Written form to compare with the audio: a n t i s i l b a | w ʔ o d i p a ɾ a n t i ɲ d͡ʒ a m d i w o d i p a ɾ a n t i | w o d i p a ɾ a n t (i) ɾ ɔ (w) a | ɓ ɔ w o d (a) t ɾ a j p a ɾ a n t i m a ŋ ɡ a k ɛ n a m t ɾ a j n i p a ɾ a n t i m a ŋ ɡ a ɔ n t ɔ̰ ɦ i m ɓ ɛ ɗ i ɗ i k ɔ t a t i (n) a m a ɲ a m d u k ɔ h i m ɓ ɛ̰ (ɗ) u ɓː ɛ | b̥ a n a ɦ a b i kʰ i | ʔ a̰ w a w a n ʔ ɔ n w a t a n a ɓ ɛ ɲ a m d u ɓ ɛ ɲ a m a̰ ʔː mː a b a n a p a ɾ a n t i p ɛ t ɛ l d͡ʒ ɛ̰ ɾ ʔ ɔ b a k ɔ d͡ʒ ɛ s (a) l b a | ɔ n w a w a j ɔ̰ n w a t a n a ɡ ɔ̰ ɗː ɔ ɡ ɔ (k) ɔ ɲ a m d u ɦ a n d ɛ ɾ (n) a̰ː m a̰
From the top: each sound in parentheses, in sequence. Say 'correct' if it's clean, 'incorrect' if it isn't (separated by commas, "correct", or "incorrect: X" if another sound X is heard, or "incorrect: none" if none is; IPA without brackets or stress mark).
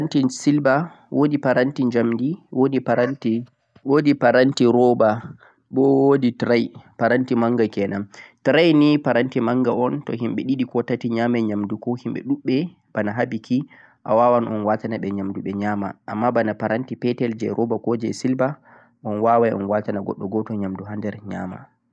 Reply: correct, incorrect: b, incorrect: i, incorrect: ɲ, correct, incorrect: i, incorrect: t, incorrect: ɲ